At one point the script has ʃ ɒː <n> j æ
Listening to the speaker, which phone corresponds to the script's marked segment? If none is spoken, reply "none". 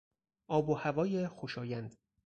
none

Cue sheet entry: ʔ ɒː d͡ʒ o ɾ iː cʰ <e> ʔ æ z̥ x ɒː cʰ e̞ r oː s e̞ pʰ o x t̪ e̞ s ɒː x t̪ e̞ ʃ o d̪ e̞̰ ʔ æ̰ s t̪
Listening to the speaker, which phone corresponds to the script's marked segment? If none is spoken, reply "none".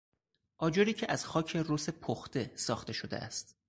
e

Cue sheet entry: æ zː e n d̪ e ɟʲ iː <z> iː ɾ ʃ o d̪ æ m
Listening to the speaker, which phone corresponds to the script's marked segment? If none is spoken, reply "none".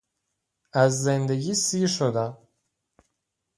s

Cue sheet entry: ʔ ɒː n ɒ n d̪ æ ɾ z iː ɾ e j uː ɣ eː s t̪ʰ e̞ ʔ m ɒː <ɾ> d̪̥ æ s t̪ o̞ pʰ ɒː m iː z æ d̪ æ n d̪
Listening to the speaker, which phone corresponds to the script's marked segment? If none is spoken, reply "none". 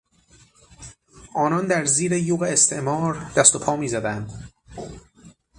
ɾ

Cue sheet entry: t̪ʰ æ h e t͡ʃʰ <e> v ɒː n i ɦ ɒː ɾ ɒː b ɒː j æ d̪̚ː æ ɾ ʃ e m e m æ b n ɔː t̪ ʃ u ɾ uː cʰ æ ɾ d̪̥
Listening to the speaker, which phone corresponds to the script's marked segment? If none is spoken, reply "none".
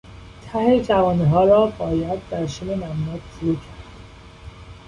æ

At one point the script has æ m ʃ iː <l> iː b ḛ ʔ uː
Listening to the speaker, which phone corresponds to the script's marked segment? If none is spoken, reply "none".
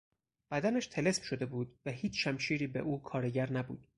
ɾ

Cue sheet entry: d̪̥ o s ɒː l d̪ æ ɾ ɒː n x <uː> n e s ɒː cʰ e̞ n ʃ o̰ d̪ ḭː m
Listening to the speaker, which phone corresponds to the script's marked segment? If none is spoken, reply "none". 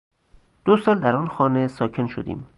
ɒː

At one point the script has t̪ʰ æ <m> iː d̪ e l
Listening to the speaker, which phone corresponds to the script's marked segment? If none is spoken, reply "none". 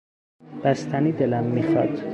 n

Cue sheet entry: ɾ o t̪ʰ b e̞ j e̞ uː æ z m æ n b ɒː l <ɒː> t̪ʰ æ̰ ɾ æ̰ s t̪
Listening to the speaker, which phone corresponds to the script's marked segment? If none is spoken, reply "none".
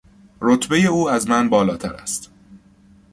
ɒː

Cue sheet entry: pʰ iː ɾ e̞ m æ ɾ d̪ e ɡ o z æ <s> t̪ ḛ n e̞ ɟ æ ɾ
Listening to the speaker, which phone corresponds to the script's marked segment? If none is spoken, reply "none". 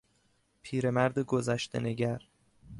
ʃ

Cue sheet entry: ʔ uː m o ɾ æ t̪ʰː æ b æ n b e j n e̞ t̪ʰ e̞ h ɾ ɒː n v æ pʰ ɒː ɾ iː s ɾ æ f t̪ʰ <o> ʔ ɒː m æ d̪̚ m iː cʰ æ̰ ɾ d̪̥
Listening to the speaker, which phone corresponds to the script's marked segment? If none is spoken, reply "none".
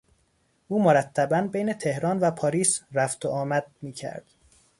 o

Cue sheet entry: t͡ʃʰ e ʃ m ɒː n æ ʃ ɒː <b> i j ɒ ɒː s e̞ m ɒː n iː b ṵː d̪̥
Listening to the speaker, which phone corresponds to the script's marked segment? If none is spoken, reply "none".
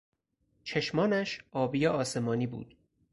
b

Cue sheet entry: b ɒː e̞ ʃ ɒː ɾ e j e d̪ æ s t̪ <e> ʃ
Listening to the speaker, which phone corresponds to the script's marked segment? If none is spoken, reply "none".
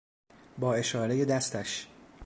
æ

